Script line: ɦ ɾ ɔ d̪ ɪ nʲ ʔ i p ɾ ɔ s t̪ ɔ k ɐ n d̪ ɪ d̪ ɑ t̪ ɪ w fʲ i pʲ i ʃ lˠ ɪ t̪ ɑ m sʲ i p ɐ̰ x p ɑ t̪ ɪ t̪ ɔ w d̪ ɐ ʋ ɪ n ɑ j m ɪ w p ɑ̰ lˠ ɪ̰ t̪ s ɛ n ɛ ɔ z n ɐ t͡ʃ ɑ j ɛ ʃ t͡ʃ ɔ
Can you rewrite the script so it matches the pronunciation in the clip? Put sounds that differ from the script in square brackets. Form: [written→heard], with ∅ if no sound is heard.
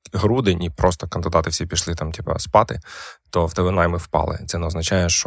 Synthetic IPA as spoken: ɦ ɾ [ɔ→u] d̪ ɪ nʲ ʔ i p ɾ ɔ s t̪ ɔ k ɐ n d̪ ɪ d̪ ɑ t̪ ɪ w [fʲ→sʲ] i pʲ i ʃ lˠ ɪ t̪ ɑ m [sʲ→tʲ] i p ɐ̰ [x→s] p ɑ t̪ ɪ t̪ ɔ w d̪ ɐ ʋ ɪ n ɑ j m ɪ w p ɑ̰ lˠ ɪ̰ t̪ s ɛ n ɛ ɔ z n ɐ t͡ʃ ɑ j ɛ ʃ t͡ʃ ɔ